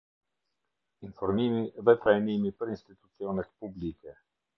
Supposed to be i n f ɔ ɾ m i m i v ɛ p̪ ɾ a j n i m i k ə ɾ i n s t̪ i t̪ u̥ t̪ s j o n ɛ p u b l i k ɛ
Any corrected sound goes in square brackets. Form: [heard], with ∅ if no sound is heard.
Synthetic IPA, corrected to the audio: i n f ɔ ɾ m i m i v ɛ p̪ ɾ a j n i m i [p] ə ɾ i n s t̪ i t̪ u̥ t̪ s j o n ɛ p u b l i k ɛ